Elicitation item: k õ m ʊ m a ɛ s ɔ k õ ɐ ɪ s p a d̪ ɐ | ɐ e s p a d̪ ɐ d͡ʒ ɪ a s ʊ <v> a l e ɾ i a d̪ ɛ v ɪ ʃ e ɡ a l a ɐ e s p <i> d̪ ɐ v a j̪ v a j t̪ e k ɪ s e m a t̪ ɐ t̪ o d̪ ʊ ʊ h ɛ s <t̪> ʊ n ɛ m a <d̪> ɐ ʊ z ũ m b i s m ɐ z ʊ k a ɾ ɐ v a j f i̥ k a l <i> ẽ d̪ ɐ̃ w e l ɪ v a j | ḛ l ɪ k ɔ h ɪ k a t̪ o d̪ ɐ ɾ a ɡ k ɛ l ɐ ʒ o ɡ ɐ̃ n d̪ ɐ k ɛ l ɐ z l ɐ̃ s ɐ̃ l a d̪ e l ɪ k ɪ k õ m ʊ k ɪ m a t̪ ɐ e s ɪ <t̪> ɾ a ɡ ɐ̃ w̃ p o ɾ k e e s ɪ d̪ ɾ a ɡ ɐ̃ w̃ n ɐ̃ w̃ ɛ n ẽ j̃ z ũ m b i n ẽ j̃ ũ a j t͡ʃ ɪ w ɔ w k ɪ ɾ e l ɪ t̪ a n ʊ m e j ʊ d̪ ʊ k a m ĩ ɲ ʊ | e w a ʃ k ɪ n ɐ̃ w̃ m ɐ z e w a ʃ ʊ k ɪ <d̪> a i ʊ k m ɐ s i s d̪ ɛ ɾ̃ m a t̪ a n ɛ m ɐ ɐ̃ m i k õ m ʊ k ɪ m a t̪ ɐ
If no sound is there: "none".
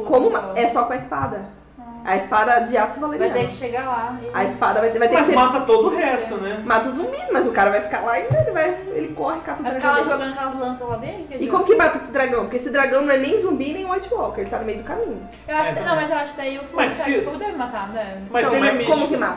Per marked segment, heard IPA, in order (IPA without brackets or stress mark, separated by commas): v, a, t̪, t̪, a, d̪, d̪